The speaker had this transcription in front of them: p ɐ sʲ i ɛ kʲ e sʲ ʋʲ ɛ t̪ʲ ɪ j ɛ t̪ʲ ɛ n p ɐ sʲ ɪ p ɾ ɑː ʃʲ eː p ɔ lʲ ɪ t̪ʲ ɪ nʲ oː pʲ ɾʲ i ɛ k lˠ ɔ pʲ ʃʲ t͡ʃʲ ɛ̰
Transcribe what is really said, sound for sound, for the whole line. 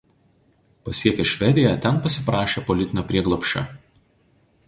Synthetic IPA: p ɐ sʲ i ɛ kʲ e ʃʲ ʋʲ ɛ d̪ʲ ɪ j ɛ t̪ʲ ɛ n p ɐ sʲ ɪ p ɾ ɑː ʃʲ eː p ɔ lʲ ɪ t̪ʲ ɪ nʲ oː pʲ ɾʲ i ɛ ɡ lˠ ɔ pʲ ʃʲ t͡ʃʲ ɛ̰